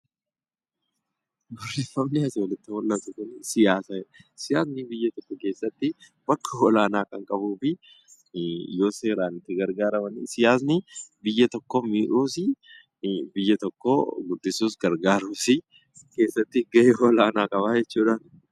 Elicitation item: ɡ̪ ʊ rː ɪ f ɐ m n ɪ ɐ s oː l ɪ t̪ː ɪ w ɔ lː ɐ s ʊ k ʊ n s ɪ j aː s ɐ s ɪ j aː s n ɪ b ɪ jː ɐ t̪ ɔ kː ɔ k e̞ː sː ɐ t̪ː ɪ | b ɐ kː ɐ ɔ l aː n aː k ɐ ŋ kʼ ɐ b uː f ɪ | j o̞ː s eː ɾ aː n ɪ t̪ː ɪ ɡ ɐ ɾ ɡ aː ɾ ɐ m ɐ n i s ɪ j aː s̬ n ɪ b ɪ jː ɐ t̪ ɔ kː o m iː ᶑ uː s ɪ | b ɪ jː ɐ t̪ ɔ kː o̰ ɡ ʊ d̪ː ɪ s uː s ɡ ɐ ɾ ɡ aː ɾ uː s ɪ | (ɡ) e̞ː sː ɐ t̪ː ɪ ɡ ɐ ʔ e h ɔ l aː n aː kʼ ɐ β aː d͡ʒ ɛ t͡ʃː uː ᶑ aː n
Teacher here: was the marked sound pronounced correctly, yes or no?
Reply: no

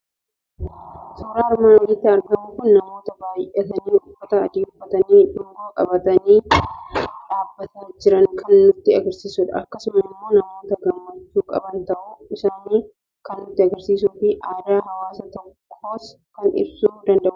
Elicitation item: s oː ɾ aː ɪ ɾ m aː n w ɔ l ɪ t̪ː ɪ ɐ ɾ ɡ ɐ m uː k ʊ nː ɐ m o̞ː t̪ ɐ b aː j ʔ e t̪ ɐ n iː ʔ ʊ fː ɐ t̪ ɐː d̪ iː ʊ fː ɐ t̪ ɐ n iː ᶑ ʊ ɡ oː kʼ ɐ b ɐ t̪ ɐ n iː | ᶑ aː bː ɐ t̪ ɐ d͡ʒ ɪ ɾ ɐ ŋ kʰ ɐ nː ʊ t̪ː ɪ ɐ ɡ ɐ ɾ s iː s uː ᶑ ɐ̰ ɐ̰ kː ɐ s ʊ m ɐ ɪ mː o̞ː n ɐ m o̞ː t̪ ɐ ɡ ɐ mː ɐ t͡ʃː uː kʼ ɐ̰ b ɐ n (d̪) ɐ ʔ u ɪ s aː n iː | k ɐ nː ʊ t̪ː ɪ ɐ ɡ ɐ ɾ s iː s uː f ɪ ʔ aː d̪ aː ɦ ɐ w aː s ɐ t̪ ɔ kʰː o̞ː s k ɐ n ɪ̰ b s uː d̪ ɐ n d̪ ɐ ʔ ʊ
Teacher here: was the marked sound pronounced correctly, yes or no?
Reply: no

